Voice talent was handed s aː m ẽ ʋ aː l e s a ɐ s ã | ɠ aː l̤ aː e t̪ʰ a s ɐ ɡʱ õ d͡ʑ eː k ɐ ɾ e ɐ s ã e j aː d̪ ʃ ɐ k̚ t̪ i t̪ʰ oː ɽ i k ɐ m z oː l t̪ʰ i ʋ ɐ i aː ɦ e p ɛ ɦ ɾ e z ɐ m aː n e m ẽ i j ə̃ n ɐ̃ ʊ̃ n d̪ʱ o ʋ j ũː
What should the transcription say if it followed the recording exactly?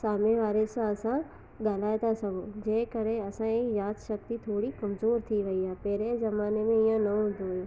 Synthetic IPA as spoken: s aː m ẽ ʋ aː ɾ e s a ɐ s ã | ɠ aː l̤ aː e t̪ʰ a s ɐ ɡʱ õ d͡ʑ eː k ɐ ɾ e ɐ s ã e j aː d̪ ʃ ɐ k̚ t̪ i t̪ʰ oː ɽ i k ɐ m z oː ɾ t̪ʰ i ʋ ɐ i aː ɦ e p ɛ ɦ ɾ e z ɐ m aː n e m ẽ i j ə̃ n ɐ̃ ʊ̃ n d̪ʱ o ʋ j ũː